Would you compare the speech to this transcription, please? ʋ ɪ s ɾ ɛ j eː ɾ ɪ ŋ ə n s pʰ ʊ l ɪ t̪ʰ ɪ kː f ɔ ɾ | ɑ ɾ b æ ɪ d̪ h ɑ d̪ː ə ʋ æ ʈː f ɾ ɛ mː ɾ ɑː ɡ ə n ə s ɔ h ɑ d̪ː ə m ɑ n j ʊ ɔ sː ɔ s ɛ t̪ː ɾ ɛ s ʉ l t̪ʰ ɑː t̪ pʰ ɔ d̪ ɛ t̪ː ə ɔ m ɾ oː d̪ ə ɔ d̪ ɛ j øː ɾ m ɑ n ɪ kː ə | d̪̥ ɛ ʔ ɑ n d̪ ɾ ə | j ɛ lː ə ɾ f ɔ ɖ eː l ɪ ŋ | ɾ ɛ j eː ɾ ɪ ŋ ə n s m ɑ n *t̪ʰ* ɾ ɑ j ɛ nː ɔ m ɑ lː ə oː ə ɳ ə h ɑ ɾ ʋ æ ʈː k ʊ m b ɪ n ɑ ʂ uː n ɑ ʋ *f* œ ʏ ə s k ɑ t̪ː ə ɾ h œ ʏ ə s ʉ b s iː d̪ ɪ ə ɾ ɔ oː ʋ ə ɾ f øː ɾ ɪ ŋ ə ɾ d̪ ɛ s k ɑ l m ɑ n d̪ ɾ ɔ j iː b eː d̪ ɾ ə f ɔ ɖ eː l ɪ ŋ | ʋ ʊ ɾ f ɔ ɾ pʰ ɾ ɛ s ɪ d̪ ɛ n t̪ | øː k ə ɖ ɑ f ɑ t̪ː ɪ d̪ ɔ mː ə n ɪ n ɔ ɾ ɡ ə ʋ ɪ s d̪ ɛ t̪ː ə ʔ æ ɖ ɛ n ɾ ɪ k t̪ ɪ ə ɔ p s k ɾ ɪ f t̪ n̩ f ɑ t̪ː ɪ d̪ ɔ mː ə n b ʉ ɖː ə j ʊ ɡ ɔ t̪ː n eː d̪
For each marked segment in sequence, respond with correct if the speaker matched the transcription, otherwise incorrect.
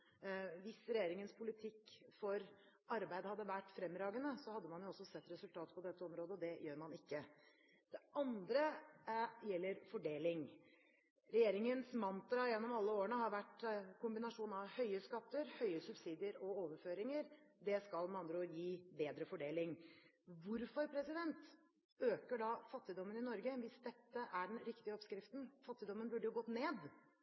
incorrect, incorrect

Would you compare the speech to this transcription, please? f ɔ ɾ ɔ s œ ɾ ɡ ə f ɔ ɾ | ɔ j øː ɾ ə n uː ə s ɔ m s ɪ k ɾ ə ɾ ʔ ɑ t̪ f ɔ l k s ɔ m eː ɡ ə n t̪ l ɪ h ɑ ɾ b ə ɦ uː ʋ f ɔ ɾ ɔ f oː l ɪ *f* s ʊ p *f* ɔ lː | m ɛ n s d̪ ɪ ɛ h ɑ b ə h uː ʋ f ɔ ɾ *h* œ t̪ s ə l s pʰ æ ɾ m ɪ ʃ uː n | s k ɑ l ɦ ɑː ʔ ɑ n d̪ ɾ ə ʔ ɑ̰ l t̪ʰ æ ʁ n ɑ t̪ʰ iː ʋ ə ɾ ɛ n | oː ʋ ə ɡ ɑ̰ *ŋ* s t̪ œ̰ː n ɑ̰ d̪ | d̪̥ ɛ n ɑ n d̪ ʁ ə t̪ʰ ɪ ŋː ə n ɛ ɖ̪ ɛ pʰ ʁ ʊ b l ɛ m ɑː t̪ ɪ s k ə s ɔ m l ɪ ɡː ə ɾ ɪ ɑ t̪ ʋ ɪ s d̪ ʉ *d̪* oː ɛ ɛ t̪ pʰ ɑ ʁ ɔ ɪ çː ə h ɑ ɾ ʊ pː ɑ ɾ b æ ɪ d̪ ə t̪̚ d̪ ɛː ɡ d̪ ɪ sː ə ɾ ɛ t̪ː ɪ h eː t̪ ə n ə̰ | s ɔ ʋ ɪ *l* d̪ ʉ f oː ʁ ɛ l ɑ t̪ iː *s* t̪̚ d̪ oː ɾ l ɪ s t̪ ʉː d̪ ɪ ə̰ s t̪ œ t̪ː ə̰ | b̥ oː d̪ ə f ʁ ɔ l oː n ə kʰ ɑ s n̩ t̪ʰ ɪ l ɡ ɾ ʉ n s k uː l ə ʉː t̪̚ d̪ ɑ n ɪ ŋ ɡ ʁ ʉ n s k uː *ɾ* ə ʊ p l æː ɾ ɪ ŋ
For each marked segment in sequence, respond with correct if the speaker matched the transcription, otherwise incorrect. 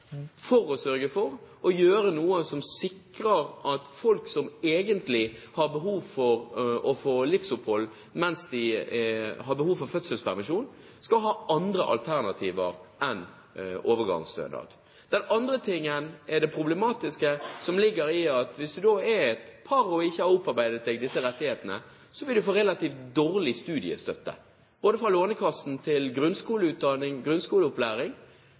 correct, incorrect, incorrect, correct, correct, correct, incorrect, incorrect

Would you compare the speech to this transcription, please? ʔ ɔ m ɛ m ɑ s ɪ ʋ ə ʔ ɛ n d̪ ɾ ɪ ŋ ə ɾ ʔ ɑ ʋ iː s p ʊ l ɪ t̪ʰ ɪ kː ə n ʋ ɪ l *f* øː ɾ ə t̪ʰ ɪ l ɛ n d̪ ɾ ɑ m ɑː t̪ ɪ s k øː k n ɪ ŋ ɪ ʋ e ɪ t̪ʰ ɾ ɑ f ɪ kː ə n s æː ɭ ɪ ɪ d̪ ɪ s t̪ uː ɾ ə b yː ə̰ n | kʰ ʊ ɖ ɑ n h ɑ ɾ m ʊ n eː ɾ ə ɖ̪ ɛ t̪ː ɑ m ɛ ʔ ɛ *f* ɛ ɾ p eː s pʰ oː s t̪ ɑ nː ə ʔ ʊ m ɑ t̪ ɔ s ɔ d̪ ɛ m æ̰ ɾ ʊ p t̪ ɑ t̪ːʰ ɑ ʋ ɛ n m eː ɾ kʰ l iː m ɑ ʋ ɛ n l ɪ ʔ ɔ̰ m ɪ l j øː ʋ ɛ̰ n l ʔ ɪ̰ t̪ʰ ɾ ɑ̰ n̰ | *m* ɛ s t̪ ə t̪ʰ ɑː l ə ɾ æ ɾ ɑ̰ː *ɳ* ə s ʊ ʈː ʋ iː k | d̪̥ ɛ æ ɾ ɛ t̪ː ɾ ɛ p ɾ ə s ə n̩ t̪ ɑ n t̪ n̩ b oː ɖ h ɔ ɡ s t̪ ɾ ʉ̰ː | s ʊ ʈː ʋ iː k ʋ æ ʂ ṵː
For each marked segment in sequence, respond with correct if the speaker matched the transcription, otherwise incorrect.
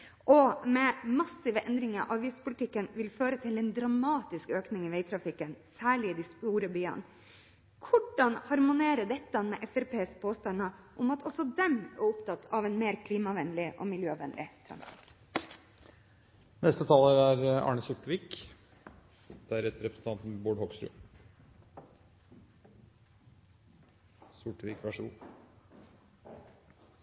correct, correct, incorrect, correct

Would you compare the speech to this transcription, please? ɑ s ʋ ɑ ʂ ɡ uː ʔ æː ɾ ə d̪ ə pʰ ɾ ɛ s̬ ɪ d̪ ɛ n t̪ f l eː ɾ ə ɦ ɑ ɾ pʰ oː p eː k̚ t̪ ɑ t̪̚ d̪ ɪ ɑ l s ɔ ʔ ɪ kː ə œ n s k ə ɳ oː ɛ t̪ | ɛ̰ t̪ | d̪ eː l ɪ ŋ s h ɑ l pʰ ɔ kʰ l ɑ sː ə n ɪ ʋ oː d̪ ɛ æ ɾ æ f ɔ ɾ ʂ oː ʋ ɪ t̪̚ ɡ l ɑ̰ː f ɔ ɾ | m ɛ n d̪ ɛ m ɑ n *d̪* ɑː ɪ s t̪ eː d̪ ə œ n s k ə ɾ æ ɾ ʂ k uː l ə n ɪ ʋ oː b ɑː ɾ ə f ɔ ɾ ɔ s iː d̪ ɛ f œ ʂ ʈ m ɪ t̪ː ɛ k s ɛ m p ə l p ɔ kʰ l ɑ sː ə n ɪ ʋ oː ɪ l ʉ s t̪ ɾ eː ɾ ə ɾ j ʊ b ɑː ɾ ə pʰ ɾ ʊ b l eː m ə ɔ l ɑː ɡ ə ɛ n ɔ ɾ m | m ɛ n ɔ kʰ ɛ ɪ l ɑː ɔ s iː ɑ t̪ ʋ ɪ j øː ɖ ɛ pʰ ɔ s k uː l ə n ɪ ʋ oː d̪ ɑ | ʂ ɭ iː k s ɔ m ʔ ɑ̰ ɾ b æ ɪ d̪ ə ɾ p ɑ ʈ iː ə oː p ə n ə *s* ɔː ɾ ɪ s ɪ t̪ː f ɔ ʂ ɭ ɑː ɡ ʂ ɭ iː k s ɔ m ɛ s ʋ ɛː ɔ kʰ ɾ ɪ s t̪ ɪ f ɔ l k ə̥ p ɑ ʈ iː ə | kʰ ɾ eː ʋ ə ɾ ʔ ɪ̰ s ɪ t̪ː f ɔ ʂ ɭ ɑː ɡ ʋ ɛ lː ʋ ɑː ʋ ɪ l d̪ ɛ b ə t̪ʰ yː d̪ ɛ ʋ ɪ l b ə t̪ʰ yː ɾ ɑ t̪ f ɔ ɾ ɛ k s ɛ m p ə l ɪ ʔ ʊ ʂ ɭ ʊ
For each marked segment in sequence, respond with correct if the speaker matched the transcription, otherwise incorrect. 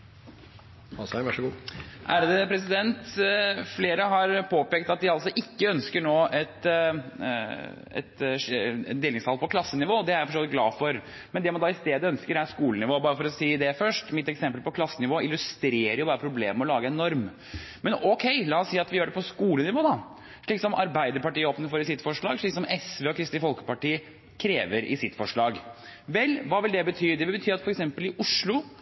correct, incorrect

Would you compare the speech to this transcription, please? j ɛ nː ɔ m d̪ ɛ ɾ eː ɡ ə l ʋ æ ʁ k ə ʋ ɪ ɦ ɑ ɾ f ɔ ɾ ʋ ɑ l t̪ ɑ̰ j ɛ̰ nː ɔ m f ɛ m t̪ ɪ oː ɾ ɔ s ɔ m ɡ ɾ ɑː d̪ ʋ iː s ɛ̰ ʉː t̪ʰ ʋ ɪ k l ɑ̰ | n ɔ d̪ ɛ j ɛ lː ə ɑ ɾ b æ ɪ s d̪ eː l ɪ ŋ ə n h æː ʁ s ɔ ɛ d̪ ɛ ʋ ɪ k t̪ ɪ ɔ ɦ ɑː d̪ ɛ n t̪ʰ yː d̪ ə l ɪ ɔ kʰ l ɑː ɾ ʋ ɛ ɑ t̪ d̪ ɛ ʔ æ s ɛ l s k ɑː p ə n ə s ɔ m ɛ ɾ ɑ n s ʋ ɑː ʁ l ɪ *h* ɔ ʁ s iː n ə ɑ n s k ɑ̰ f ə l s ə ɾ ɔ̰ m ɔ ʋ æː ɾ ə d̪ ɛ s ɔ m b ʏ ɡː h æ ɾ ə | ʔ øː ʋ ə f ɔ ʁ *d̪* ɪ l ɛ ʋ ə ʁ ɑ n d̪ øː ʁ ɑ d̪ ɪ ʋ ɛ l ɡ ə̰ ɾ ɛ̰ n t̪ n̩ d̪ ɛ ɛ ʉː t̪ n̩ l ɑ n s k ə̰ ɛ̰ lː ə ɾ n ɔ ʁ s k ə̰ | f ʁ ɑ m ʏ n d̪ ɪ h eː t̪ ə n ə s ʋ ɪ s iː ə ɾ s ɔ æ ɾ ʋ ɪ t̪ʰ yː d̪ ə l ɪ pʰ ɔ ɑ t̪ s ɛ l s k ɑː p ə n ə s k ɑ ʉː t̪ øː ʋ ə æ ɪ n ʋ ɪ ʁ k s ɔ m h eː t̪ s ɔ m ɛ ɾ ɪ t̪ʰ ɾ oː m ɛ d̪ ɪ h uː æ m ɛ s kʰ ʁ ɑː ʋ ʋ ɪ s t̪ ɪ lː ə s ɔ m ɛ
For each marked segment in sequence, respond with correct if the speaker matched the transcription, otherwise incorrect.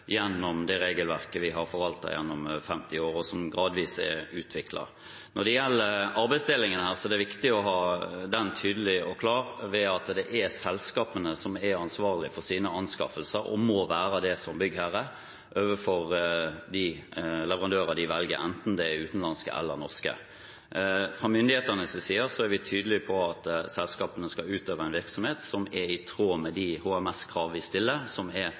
incorrect, correct

